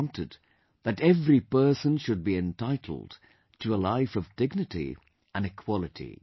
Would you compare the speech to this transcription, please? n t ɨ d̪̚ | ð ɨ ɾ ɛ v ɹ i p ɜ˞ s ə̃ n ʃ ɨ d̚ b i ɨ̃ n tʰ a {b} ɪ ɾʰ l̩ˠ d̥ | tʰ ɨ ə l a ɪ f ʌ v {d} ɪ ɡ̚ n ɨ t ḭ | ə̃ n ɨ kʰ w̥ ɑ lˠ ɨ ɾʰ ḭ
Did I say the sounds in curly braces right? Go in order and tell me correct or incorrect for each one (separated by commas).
incorrect, correct